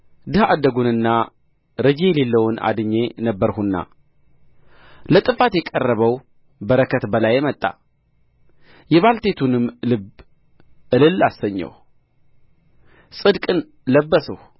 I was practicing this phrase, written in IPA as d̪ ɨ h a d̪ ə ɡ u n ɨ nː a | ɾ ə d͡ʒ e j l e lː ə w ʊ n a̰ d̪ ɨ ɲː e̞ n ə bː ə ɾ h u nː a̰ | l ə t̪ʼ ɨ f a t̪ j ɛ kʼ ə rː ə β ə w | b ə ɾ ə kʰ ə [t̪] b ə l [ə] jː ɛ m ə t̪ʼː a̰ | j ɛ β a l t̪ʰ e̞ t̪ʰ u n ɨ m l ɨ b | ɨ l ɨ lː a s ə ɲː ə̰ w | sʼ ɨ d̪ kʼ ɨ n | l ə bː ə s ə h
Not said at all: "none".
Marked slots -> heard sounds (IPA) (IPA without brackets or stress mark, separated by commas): t̪, a